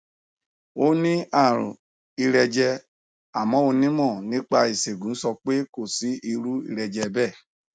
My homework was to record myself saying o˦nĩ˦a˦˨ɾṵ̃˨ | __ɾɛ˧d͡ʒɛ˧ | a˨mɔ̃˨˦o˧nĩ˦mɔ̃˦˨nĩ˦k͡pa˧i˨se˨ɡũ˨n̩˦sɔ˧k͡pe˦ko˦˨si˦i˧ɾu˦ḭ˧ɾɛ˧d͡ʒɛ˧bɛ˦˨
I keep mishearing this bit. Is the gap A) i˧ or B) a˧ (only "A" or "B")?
A